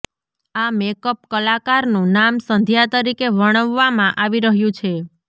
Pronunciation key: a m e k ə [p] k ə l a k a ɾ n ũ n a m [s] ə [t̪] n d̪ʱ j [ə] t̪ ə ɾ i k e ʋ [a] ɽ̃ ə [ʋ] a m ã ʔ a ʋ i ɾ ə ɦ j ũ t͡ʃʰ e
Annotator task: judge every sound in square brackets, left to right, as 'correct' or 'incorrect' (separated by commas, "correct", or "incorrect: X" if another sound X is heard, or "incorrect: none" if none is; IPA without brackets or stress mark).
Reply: correct, correct, incorrect: none, incorrect: a, incorrect: ə, incorrect: ʋː